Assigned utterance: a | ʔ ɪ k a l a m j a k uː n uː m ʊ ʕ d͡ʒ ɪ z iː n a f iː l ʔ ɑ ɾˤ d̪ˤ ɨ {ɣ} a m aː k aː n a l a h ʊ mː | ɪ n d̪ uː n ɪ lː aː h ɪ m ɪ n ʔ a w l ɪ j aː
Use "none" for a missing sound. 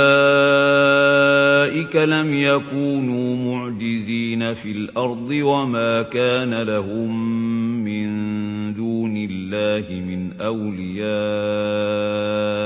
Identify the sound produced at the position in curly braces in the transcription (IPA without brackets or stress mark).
w